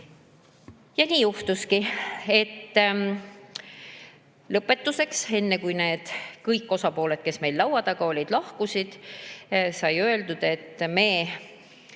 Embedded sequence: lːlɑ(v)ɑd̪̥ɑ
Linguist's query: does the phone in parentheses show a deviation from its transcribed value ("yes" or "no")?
yes